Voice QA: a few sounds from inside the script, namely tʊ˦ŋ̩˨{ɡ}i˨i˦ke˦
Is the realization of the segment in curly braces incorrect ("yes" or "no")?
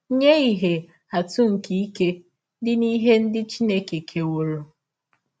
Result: yes